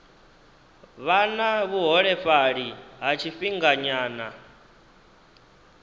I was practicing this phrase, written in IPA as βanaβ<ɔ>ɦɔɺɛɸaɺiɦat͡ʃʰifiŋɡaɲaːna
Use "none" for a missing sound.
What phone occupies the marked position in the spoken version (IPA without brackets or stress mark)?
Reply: u